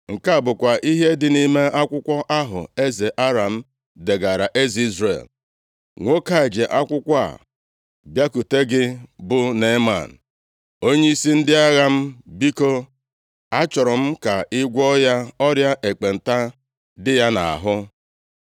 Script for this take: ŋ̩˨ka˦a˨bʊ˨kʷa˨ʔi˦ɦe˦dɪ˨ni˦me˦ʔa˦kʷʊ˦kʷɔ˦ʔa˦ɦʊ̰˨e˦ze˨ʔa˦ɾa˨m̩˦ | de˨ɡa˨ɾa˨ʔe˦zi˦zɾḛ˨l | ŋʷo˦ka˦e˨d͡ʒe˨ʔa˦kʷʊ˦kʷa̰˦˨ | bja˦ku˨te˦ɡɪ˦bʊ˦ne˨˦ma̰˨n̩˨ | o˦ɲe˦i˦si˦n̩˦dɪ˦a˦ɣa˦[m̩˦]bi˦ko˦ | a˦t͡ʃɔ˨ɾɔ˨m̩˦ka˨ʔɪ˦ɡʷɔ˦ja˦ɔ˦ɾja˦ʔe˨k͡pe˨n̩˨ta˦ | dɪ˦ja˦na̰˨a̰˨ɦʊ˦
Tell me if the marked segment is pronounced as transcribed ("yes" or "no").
yes